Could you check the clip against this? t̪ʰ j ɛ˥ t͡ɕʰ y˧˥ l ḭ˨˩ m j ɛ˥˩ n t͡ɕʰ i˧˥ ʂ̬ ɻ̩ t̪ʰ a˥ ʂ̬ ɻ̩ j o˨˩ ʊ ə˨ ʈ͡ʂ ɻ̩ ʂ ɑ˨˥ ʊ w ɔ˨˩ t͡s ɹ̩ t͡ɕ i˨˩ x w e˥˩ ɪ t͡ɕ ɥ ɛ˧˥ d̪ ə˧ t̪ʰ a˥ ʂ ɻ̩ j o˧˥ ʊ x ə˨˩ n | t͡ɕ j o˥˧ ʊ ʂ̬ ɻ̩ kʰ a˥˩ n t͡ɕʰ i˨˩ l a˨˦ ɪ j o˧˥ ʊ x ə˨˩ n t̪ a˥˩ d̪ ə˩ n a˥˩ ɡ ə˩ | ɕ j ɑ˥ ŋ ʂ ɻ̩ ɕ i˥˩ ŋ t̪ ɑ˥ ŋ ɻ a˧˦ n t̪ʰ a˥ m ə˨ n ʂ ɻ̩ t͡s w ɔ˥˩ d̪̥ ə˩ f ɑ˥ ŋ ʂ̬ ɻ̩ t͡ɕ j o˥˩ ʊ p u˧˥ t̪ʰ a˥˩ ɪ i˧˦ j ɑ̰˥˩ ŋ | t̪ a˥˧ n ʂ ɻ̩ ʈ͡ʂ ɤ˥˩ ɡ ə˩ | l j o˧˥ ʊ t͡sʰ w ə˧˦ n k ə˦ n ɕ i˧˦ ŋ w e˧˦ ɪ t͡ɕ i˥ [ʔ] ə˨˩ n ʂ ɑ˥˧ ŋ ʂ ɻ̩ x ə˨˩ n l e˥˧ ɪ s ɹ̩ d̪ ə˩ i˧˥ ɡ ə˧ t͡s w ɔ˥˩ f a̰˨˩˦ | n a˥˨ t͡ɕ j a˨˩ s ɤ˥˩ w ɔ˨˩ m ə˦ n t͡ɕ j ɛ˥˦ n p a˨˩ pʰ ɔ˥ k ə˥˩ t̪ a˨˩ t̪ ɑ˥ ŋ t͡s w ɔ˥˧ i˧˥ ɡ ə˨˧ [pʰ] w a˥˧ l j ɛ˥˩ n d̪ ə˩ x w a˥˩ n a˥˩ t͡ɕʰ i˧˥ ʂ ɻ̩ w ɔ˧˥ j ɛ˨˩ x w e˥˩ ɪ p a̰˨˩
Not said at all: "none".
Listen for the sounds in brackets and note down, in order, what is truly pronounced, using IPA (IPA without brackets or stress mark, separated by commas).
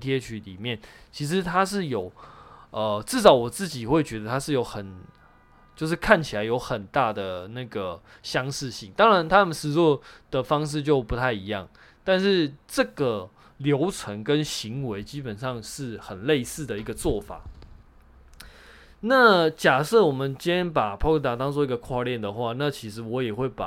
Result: p, kʰ